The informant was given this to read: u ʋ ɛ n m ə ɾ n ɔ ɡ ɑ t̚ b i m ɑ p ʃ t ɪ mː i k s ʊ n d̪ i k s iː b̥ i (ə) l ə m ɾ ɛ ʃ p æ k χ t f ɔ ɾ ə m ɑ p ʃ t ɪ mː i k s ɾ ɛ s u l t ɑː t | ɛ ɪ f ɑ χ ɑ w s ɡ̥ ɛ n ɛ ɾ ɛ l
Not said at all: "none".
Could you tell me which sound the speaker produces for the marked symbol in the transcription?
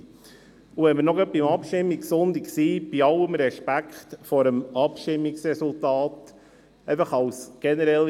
ɑ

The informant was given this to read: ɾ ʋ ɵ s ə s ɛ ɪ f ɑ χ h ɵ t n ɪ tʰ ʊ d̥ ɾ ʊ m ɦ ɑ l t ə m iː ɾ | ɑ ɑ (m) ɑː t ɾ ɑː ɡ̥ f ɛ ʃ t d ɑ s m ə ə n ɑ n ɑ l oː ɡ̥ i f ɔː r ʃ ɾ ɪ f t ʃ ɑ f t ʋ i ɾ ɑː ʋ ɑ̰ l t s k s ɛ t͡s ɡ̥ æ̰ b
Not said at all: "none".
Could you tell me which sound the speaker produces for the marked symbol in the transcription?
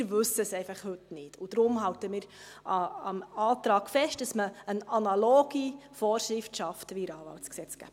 m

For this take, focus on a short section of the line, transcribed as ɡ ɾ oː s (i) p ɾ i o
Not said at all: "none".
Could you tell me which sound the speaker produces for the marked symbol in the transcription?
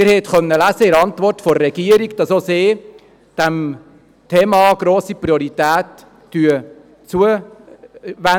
i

